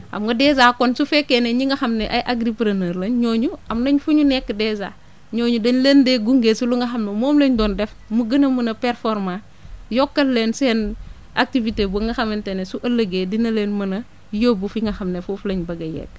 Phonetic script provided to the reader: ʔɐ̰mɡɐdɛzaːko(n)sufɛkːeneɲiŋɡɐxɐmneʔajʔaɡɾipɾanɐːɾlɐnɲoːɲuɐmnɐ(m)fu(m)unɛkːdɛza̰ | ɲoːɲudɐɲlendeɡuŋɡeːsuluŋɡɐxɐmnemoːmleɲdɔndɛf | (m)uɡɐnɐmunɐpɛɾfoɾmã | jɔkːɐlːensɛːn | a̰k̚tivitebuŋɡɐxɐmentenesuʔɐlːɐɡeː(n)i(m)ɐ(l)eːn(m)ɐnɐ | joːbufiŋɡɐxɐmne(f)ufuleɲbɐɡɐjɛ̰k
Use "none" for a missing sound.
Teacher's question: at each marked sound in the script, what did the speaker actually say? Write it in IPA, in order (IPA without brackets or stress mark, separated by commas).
n, ɲ, ɲ, m, d, n, l, m, f